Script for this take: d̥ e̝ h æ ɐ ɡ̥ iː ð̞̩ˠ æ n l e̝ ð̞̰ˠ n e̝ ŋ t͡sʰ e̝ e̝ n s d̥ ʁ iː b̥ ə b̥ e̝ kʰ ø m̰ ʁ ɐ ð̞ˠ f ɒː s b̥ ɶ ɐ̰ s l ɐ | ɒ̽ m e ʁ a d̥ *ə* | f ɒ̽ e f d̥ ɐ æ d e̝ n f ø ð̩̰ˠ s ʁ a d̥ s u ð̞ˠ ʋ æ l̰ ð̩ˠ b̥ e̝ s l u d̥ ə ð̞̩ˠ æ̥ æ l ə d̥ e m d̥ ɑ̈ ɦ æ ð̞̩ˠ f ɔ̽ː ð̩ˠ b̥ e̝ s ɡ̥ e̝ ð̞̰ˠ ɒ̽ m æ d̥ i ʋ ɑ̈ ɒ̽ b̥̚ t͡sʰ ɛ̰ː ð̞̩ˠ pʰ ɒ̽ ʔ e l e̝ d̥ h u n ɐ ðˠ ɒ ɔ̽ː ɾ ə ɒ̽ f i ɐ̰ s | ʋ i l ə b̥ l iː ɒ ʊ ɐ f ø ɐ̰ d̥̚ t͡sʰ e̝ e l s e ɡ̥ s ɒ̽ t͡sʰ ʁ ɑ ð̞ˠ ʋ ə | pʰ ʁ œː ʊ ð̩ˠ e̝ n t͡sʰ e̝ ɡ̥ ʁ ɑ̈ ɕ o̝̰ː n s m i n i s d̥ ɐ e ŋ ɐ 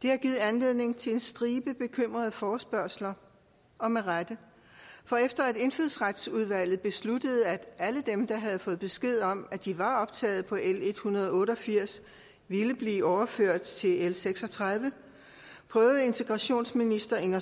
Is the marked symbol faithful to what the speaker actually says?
yes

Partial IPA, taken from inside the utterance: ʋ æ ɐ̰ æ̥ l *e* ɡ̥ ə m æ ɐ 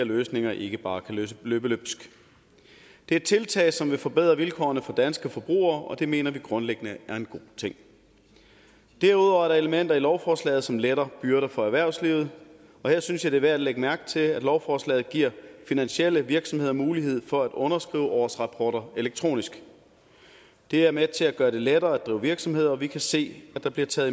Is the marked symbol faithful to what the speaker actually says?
yes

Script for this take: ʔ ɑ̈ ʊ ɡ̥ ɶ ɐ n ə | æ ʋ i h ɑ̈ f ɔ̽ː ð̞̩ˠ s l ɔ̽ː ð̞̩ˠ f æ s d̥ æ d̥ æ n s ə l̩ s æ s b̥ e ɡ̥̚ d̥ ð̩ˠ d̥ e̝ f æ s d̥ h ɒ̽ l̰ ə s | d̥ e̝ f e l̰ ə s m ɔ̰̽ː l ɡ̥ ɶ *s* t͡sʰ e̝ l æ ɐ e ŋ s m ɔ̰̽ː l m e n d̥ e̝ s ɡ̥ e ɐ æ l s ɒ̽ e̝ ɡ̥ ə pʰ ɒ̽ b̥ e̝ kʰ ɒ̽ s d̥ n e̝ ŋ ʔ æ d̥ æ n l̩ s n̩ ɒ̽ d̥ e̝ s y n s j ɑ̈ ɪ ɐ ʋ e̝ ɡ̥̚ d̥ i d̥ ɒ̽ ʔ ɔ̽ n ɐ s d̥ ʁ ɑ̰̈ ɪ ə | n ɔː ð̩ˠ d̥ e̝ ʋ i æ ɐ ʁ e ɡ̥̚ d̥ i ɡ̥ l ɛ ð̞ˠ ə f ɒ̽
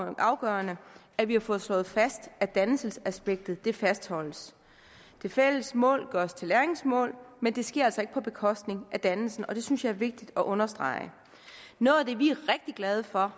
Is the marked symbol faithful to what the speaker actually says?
yes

